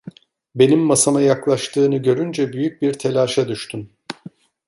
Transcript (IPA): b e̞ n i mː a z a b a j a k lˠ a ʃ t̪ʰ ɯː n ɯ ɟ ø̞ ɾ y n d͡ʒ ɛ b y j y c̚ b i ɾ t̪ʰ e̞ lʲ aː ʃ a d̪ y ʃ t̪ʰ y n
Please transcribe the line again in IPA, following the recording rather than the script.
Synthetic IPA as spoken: b e̞ n i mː a s a m a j a k lˠ a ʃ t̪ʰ ɯː n ɯ ɟ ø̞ ɾ y n d͡ʒ ɛ b y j y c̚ b i ɾ t̪ʰ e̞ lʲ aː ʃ a d̪ y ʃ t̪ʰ y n